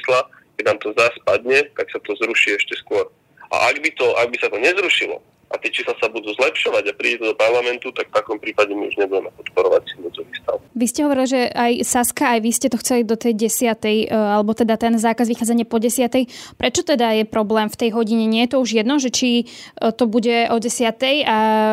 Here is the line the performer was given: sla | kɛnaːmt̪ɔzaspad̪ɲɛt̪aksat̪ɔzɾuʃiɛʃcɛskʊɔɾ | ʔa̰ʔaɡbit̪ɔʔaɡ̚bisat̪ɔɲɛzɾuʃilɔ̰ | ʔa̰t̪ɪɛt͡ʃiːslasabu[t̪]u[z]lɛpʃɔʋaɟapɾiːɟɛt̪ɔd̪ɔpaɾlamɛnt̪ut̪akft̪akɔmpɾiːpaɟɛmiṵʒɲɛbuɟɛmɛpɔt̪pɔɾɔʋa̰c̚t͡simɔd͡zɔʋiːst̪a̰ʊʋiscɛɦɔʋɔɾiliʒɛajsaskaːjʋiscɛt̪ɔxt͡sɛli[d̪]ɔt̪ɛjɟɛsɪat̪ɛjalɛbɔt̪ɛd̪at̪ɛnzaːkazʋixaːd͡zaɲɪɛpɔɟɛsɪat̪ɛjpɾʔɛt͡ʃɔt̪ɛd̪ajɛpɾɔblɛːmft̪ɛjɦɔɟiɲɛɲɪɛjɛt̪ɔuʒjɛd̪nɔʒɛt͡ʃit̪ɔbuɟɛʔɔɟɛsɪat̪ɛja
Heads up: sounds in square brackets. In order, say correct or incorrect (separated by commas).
incorrect, correct, correct